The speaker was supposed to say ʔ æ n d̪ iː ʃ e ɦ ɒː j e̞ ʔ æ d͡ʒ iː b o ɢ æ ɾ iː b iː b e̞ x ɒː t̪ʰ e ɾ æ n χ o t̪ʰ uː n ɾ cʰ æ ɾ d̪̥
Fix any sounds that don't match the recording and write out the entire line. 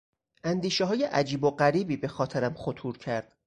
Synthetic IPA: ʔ æ n d̪ iː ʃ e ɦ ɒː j e̞ ʔ æ d͡ʒ iː b o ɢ æ ɾ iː b iː b e̞ x ɒː t̪ʰ e ɾ æ m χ o t̪ʰ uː ɾ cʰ æ ɾ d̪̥

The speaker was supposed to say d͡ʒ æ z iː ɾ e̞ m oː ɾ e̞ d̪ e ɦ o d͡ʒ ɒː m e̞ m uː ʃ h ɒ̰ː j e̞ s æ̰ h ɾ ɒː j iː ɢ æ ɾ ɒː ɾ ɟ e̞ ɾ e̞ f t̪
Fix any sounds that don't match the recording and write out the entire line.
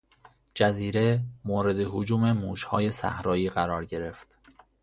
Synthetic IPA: d͡ʒ æ z iː ɾ e̞ m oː ɾ e̞ d̪ e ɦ o d͡ʒ uː m e̞ m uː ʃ h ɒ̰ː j e̞ s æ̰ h ɾ ɒː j iː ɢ æ ɾ ɒː ɾ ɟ e̞ ɾ e̞ f t̪

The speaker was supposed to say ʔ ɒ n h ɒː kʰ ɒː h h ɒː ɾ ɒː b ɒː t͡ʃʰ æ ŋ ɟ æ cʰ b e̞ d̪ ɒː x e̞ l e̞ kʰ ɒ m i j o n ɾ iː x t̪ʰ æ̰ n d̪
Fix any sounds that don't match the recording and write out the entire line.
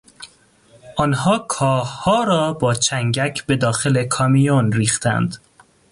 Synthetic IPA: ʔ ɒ n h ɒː kʰ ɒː h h ɒː ɾ ɒː b ɒː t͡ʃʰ æ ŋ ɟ æ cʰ b e̞ d̪ ɒː x e̞ l e̞ kʰ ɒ m i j o n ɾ iː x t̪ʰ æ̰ n d̪

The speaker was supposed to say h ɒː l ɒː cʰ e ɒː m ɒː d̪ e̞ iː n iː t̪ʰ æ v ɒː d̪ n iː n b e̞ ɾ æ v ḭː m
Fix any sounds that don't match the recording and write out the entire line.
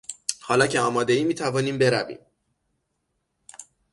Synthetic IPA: h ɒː l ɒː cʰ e ɒː m ɒː d̪ e̞ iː m iː t̪ʰ æ v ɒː n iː m b e̞ ɾ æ v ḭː m

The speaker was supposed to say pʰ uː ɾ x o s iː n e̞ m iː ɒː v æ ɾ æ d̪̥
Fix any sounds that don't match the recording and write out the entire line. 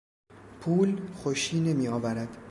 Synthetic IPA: pʰ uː l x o ʃ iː n e̞ m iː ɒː v æ ɾ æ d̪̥

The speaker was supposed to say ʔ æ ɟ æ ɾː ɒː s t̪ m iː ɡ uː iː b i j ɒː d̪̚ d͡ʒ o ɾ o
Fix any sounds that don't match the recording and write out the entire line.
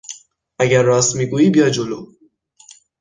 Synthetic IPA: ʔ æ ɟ æ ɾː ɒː s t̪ m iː ɡ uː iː b i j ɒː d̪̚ d͡ʒ o l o

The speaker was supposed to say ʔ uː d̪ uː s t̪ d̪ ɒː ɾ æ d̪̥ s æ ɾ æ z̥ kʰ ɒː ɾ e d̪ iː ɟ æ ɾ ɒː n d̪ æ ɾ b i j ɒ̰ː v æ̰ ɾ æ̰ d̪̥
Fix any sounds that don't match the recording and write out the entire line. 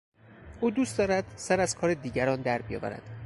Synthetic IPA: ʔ uː d̪ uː s t̪ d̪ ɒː ɾ æ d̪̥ s æ ɾ æ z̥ kʰ ɒː ɾ e d̪ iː ɟ æ ɾ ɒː n d̪ æ ɾ b i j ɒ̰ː v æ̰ ɾ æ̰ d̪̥

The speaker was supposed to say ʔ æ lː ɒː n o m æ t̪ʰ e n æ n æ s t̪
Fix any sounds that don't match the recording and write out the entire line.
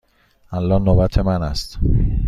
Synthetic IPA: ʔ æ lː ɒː n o b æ t̪ʰ e m æ n æ s t̪

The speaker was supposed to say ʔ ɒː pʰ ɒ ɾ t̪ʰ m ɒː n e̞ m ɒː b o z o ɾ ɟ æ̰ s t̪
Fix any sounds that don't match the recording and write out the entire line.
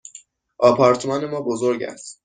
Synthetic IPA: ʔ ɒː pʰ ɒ ɾ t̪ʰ m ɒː n e̞ m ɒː b o z o ɾ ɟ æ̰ s t̪

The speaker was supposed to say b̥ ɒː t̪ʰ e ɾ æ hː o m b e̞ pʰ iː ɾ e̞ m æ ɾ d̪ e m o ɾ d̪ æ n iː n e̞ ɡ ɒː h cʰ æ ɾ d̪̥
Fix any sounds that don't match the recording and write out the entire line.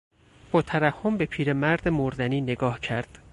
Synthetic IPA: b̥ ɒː t̪ʰ æ ɾ æ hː o m b e̞ pʰ iː ɾ e̞ m æ ɾ d̪ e m o ɾ d̪ æ n iː n e̞ ɡ ɒː h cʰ æ ɾ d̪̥

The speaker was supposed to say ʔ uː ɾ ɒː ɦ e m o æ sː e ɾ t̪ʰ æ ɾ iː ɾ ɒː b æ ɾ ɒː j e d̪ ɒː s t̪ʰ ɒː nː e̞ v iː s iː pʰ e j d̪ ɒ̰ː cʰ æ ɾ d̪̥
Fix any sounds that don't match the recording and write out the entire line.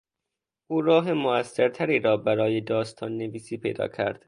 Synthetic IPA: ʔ uː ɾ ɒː ɦ e m o æ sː e ɾ t̪ʰ æ ɾ iː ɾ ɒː b æ ɾ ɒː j e d̪ ɒː s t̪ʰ ɒː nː e̞ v iː s iː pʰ e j d̪ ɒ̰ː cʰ æ ɾ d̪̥

